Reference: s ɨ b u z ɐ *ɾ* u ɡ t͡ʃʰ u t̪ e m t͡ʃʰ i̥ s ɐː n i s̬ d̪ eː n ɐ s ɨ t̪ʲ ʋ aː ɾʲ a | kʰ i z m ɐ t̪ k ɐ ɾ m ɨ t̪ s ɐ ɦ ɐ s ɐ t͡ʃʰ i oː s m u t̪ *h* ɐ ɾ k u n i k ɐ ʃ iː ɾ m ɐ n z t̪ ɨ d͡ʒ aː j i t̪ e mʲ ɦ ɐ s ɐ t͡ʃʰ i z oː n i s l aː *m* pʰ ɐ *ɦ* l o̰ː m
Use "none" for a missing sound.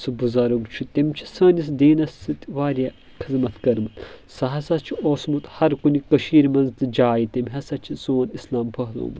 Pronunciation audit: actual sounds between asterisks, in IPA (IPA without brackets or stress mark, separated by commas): ɾ, h, m, ɦ